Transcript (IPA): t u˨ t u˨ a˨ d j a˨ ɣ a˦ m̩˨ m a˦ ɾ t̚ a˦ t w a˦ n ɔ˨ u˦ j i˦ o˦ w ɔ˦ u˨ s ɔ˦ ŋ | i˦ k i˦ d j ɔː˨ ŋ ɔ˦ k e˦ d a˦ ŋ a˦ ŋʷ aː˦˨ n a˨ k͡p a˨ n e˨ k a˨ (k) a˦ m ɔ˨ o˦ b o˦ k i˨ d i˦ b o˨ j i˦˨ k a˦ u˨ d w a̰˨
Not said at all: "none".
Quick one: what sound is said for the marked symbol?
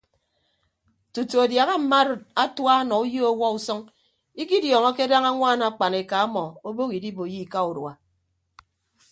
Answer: none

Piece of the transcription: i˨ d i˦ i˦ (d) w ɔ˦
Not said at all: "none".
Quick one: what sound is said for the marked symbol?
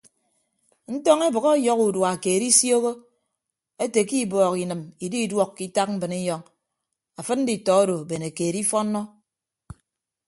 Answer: d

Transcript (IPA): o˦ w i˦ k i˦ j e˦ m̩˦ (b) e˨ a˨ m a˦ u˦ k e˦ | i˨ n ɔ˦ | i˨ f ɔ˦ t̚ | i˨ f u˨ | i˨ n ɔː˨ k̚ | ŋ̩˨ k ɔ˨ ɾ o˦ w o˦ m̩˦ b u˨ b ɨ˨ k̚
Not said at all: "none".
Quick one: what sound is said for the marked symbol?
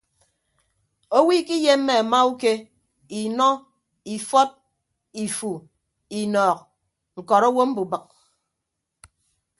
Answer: m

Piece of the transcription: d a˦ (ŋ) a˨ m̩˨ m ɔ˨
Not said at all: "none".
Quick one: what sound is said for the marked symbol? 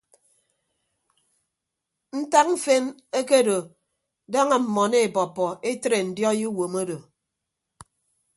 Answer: ŋ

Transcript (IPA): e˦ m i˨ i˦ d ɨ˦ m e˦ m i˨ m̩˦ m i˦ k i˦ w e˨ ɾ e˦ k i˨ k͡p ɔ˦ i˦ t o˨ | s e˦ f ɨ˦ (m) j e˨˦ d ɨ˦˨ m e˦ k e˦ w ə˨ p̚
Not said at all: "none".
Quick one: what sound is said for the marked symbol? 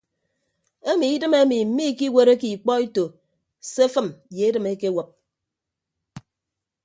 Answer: m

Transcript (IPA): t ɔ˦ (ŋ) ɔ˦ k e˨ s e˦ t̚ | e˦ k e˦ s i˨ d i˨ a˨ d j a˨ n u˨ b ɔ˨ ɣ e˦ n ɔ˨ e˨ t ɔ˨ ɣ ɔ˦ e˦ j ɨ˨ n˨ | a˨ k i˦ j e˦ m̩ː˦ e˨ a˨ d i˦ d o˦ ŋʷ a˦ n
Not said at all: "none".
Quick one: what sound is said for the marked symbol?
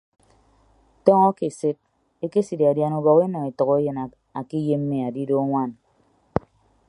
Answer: ŋ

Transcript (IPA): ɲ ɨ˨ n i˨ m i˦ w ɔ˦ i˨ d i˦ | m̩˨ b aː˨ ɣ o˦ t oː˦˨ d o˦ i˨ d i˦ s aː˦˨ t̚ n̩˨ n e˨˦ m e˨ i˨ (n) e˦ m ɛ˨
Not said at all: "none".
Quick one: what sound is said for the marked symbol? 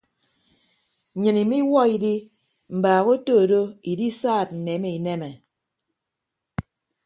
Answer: n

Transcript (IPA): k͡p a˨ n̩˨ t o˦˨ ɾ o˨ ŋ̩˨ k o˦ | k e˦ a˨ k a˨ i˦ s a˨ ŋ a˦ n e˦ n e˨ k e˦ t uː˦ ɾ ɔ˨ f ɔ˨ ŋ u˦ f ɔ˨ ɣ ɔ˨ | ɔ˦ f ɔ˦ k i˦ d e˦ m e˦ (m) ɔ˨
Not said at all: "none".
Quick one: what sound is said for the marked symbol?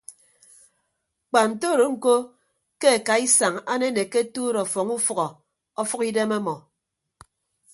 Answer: m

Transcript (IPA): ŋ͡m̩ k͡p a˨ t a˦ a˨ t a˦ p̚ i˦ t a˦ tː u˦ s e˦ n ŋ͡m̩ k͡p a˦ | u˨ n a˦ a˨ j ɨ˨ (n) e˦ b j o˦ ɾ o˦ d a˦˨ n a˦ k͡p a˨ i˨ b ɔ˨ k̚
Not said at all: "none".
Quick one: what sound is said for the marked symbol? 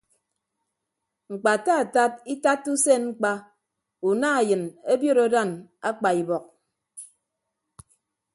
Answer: n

